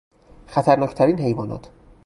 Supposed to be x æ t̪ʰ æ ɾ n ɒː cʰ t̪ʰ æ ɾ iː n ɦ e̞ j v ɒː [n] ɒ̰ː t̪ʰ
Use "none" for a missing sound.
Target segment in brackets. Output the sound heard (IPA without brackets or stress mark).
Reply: n